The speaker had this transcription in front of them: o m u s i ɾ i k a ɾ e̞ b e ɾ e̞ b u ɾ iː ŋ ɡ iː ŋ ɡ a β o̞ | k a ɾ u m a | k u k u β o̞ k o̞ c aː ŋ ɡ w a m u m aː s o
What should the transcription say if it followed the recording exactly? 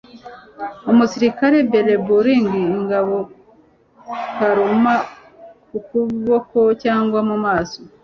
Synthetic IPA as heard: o m u s i ɾ i k a ɾ e̞ b e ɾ e̞ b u ɾ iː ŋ ɡ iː ŋ ɡ a β o̞ | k a ɾ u m a | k u k u β o̞ k o̞ c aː ŋ ɡ w a m u m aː s o

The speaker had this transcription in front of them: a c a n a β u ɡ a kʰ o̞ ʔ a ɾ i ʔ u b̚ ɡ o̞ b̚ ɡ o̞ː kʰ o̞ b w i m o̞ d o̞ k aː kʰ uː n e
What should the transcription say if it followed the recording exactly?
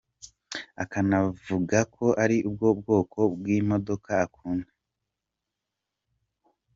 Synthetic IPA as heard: a k a n a v u ɡ a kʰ o̞ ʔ a ɾ i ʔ u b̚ ɡ o̞ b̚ ɡ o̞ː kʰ o̞ b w i m o̞ d o̞ k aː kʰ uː n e

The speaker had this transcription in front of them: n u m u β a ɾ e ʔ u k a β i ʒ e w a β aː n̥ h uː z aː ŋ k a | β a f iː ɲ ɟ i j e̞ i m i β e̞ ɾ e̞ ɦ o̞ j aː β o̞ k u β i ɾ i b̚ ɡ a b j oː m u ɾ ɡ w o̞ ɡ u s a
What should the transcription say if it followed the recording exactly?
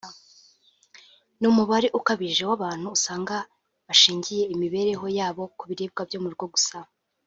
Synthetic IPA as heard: n u m u β a ɾ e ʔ u k a β i ʒ e w a β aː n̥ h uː s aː ŋ ɡ a | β a ʃ iː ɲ ɟ i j e̞ i m i β e̞ ɾ e̞ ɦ o̞ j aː β o̞ k u β i ɾ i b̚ ɡ a b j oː m u ɾ ɡ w o̞ ɡ u s a

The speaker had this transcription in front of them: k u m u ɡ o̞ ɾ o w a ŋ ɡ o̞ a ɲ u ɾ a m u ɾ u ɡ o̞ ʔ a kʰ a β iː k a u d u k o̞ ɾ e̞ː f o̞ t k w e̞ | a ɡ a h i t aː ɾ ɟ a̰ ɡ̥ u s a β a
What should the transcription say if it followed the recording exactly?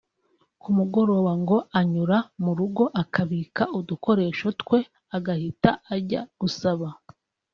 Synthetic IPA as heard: k u m u ɡ o̞ ɾ o w a ŋ ɡ o̞ a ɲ u ɾ a m u ɾ u ɡ o̞ ʔ a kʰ a β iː k a u d u k o̞ ɾ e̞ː ʃ o̞ t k w e̞ | a ɡ a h i t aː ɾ ɟ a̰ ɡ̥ u s a β a

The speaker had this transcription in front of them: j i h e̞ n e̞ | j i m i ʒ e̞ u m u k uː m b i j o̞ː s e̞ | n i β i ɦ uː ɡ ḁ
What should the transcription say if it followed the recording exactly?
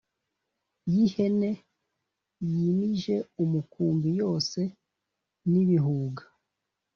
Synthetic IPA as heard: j i h e̞ n e̞ | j i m i ʒ e̞ u m u k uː m b i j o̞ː s e̞ | n i β i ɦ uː ɡ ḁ

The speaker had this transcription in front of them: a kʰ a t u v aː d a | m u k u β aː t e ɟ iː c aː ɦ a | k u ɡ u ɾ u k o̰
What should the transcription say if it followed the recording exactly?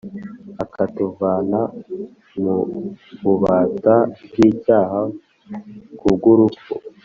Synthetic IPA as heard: a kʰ a t u v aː n a | m u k u β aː t a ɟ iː c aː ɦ a | k u ɡ u ɾ u k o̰

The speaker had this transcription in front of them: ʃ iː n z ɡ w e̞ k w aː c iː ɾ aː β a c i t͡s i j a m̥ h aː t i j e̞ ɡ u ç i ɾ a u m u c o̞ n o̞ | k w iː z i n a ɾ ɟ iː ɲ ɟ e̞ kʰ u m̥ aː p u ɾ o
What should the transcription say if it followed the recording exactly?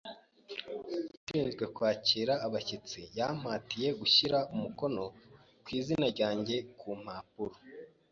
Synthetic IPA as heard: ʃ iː n z ɡ w e̞ k w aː c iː ɾ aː β a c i t͡s i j a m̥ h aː t i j e̞ ɡ u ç i ɾ a u m u k o̞ n o̞ | k w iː z i n a ɾ ɟ aː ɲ ɟ e̞ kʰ u m̥ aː p u ɾ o

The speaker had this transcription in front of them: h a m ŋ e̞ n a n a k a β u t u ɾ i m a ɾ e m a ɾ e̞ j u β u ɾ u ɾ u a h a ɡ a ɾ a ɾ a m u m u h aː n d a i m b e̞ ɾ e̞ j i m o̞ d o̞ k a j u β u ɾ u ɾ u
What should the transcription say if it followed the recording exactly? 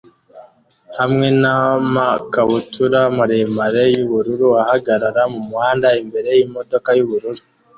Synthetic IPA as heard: h a m ŋ e̞ n a m a k a β u t u ɾ a m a ɾ e m a ɾ e̞ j u β u ɾ u ɾ u a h a ɡ a ɾ a ɾ a m u m u h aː n d a i m b e̞ ɾ e̞ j i m o̞ d o̞ k a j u β u ɾ u ɾ u

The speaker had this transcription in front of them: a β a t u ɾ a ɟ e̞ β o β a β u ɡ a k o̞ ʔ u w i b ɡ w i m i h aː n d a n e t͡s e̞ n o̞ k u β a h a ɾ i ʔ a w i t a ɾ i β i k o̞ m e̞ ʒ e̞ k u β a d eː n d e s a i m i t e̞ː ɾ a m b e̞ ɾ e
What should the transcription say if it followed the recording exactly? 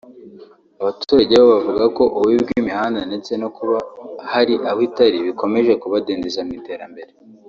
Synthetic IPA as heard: a β a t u ɾ a ɟ e̞ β o β a v u ɡ a k o̞ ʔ u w i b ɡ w i m i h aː n d a n e t͡s e̞ n o̞ k u β a h a ɾ i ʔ a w i t a ɾ i β i k o̞ m e̞ ʒ e̞ k u β a d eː n d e z a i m i t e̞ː ɾ a m b e̞ ɾ e

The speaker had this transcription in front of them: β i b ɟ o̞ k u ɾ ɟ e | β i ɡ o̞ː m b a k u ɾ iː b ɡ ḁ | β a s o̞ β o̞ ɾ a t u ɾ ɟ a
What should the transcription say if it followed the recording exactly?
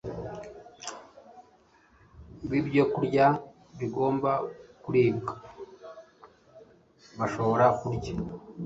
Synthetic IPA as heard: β i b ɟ o̞ k u ɾ ɟ a | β i ɡ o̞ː m b a k u ɾ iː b ɡ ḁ | β a ʃ o̞ β o̞ ɾ a k u ɾ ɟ a

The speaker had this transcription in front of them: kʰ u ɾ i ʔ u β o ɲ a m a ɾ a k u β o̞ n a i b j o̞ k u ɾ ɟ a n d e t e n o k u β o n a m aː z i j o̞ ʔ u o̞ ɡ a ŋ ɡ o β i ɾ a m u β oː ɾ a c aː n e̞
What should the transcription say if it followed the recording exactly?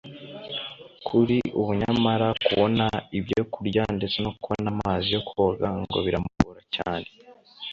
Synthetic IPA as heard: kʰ u ɾ i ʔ u β u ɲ a m a ɾ a k u β o̞ n a i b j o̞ k u ɾ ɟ a n d e t͡s e n o k u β o n a m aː z i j o̞ k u o̞ ɡ a ŋ ɡ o β i ɾ a m u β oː ɾ a c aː n e̞

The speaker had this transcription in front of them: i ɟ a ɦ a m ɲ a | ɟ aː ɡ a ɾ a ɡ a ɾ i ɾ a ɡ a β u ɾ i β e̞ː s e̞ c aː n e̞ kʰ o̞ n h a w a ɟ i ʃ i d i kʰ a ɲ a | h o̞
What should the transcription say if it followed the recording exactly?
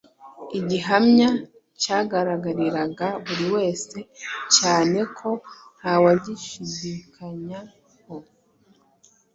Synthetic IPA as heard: i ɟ i ɦ a m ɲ a | c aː ɡ a ɾ a ɡ a ɾ i ɾ a ɡ a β u ɾ i w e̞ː s e̞ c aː n e̞ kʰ o̞ n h a w a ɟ i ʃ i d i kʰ a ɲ a | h o̞

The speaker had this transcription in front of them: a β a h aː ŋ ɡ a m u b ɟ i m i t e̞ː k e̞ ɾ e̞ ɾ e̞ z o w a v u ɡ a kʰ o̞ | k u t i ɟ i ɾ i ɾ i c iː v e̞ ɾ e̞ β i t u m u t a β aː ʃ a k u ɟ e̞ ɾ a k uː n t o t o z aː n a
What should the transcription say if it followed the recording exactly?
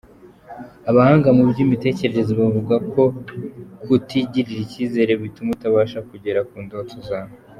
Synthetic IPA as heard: a β a h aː ŋ ɡ a m u b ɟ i m i t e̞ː c e̞ ɾ e̞ ɾ e̞ z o β a v u ɡ a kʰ o̞ | k u t i ɟ i ɾ i ɾ i c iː z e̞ ɾ e̞ β i t u m u t a β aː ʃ a k u ɟ e̞ ɾ a k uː n d o t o z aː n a

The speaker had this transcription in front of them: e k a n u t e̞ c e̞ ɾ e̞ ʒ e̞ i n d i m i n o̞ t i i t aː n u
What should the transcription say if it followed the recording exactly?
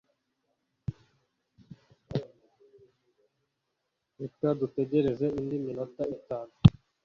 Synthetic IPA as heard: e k a d u t e̞ ɟ e̞ ɾ e̞ z e̞ i n d i m i n o̞ t a i t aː n u

